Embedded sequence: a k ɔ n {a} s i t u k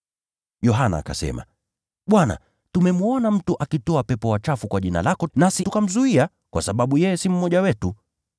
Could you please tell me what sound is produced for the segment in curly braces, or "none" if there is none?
a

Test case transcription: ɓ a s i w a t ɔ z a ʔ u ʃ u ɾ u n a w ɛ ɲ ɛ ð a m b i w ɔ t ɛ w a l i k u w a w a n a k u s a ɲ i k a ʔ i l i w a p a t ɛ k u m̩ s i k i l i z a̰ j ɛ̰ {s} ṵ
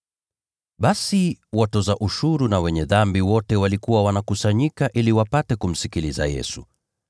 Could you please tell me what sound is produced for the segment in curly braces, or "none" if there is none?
s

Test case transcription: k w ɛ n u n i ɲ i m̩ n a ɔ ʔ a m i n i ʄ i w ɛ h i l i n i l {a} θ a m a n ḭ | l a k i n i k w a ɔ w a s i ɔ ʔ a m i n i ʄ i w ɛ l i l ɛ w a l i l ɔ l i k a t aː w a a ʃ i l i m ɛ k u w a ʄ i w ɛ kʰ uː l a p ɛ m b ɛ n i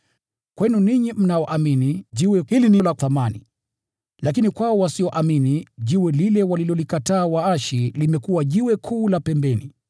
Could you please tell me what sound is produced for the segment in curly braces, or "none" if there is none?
a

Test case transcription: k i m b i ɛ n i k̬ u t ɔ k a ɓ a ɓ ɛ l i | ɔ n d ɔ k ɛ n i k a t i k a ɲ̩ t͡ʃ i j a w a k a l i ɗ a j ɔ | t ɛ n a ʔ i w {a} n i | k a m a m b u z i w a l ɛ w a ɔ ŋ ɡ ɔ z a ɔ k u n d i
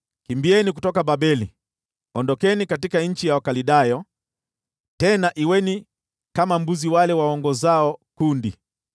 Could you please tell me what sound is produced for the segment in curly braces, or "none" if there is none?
ɛ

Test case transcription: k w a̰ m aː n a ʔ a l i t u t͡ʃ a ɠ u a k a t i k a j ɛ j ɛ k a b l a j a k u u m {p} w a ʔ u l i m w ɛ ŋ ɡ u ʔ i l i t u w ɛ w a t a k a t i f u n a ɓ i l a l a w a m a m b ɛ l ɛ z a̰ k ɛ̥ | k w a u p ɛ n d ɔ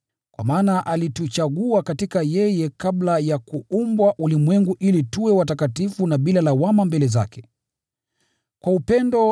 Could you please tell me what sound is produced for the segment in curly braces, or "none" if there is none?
b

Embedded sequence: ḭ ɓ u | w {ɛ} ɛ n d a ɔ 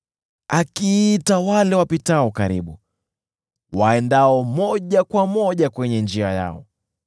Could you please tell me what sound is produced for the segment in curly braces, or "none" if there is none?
a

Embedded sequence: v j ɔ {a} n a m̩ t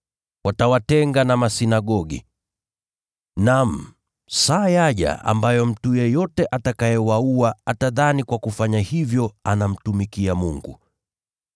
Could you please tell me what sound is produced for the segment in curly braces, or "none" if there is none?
a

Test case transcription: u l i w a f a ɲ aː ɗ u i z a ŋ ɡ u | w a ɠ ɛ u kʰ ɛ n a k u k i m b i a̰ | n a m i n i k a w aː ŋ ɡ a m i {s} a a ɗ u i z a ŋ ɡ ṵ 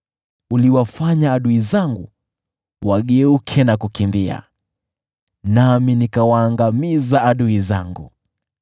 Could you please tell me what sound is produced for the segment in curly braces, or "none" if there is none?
z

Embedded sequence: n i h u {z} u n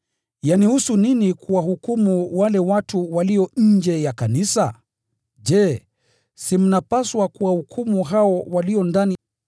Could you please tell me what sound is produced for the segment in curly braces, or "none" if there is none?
s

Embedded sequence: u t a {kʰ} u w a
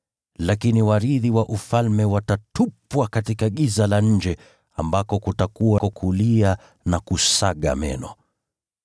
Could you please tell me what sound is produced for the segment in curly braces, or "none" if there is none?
k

